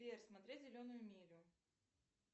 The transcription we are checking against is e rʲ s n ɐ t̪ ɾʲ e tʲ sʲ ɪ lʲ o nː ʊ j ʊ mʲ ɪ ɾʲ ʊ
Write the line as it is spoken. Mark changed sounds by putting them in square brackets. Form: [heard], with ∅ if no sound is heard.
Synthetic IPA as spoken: e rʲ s [m] ɐ t̪ ɾʲ e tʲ [zʲ] ɪ lʲ o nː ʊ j ʊ mʲ [i] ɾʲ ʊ